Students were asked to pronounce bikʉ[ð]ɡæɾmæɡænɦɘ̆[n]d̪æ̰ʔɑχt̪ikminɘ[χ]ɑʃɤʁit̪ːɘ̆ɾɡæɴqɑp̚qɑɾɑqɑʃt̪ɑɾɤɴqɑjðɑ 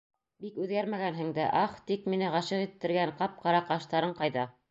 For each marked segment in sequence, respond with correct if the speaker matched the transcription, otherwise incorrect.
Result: correct, incorrect: ŋ, incorrect: ʁ

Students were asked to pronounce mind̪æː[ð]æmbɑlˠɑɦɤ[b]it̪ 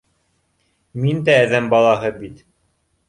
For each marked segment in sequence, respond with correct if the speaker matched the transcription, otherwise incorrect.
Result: correct, correct

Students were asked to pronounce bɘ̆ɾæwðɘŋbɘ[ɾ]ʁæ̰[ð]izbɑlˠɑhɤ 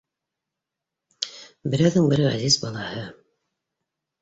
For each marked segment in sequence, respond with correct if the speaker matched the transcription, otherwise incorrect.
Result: correct, incorrect: z

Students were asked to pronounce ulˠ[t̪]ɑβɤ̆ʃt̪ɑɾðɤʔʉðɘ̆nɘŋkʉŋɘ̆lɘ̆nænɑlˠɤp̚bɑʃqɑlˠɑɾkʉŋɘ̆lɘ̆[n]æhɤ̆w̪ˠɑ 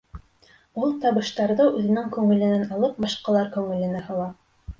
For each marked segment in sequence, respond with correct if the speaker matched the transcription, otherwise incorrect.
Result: correct, correct

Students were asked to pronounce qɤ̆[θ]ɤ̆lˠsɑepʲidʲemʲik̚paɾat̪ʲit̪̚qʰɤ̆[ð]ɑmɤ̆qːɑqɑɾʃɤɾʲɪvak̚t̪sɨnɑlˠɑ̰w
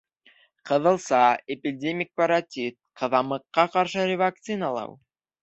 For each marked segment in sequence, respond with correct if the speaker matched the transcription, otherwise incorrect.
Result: incorrect: ð, correct

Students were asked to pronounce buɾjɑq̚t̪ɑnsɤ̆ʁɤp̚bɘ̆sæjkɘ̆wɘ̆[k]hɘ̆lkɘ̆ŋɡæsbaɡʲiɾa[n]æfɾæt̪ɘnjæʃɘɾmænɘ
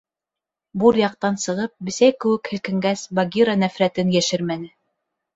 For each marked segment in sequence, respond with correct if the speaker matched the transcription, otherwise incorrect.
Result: correct, correct

